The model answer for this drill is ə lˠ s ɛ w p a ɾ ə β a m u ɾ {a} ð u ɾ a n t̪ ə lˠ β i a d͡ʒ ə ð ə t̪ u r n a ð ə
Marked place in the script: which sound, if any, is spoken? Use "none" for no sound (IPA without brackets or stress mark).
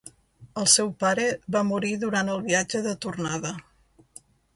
i